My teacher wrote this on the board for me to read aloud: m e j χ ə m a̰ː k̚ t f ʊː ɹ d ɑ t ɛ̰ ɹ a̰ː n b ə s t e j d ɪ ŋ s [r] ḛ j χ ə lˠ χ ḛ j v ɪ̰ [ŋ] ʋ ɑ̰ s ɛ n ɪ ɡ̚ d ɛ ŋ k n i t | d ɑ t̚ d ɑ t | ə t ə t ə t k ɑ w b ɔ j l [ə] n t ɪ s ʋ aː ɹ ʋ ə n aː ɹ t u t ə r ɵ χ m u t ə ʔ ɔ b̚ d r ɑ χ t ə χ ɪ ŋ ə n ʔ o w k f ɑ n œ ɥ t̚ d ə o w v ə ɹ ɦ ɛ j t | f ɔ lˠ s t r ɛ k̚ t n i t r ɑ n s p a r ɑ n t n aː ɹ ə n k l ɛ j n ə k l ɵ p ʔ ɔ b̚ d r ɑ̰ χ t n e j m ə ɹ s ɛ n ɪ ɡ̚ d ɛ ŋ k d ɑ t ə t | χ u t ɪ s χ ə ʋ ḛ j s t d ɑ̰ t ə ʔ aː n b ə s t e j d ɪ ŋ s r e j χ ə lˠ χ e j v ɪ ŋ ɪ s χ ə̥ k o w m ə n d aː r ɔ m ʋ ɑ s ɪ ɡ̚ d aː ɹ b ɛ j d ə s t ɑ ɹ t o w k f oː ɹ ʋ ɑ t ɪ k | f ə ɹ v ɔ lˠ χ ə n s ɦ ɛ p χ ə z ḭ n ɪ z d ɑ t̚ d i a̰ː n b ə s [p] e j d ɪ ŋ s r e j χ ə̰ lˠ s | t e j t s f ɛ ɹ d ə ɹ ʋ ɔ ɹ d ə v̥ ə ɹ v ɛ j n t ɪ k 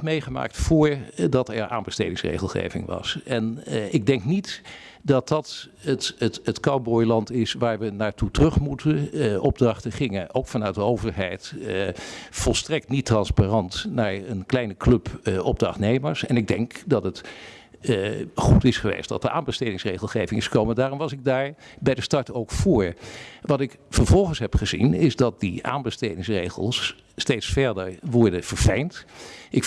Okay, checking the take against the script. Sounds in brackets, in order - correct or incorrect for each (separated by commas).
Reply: correct, correct, incorrect, incorrect